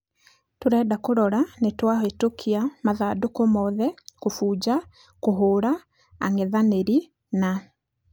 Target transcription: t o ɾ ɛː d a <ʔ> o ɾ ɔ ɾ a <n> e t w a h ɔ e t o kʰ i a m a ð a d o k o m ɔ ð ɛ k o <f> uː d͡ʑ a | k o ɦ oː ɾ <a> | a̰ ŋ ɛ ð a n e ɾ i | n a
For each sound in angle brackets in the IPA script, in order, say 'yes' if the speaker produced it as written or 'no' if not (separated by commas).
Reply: no, yes, yes, yes